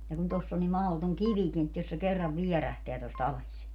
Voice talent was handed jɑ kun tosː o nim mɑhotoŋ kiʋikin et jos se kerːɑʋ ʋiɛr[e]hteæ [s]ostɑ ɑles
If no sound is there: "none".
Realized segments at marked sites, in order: æ, t

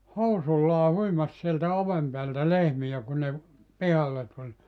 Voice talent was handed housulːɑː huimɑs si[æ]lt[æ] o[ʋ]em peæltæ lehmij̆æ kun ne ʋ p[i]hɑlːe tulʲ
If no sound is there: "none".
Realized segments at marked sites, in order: e, æ, ʋ, i

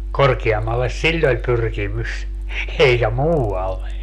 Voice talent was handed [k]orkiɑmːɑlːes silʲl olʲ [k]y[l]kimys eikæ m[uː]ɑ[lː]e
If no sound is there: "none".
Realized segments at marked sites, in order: k, p, r, uː, lː

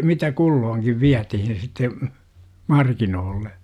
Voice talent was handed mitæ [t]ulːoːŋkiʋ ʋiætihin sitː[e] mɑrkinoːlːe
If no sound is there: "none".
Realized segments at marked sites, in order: k, e

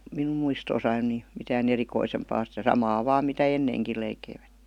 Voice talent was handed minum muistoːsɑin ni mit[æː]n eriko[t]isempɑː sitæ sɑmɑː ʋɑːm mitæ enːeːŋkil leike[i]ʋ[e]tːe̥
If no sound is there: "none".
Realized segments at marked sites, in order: æː, none, i, æ

